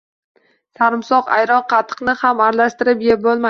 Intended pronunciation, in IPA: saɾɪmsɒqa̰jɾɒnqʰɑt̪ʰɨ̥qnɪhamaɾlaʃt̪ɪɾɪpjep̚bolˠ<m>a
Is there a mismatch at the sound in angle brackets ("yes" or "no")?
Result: no